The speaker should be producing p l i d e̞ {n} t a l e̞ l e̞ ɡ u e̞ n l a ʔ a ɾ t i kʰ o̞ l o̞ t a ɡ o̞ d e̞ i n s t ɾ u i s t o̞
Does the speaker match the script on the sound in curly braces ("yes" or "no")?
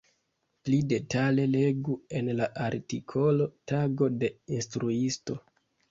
no